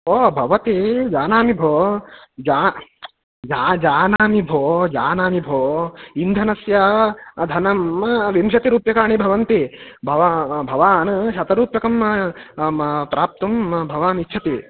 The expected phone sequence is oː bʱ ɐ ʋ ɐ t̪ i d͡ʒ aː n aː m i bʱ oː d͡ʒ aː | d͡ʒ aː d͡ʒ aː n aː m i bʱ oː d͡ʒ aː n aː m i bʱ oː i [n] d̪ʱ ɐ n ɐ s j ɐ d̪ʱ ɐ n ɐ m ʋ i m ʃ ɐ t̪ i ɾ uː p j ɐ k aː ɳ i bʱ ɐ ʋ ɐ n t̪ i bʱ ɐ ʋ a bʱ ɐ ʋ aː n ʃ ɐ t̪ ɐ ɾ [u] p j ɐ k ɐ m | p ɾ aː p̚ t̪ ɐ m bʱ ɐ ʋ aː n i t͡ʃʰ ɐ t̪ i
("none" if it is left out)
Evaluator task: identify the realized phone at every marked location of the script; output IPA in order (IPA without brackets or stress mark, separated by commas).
n, uː